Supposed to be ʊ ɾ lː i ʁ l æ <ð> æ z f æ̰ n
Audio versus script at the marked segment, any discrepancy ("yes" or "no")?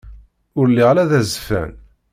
no